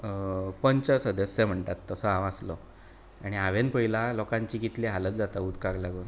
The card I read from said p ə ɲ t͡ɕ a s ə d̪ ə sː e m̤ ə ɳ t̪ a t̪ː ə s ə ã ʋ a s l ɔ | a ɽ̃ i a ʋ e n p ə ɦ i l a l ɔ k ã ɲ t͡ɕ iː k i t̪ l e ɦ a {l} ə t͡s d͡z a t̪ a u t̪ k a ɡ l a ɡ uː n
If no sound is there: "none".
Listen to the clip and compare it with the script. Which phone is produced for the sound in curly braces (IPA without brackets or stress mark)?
l